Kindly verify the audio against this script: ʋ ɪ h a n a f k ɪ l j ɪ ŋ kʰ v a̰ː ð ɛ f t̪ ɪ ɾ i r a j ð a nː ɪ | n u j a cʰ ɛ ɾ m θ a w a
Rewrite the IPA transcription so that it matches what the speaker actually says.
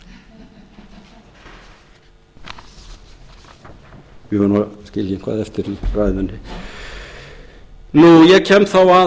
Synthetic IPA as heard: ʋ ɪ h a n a s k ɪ l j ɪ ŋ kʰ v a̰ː ð ɛ f t̪ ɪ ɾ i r a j ð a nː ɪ | n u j ɛ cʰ ɛ m θ a w a